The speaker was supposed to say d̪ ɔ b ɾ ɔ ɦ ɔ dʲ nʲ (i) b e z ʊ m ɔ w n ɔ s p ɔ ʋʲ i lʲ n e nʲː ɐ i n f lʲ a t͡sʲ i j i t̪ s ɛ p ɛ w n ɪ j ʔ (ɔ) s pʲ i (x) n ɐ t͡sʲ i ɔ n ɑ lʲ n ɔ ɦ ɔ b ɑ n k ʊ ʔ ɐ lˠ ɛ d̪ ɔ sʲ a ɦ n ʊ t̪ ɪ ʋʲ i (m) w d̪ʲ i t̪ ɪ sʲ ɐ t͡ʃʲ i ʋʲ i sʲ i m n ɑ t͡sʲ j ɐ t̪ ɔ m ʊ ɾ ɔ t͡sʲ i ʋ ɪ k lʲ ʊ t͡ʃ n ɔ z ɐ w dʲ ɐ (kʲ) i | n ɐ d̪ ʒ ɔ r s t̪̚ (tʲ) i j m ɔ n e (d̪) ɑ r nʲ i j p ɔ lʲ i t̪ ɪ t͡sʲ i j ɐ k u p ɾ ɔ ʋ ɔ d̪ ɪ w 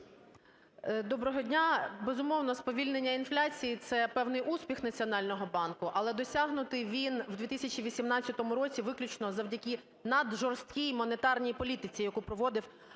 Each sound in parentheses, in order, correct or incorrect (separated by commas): incorrect, incorrect, correct, incorrect, correct, incorrect, incorrect